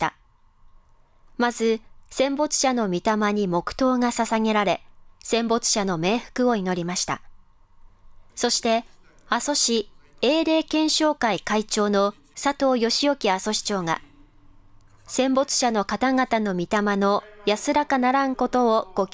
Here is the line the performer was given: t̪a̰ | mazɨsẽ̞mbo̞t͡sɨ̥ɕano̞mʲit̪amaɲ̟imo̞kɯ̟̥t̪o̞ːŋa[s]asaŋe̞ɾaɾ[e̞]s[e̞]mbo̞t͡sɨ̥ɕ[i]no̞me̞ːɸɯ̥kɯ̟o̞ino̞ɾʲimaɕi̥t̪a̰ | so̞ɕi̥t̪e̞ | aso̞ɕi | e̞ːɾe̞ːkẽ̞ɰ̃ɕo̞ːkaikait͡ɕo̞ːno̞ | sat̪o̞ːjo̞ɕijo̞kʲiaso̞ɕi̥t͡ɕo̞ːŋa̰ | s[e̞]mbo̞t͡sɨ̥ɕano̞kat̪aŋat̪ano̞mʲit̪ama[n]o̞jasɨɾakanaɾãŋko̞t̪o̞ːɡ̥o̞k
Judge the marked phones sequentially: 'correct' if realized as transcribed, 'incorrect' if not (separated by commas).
correct, correct, incorrect, incorrect, incorrect, correct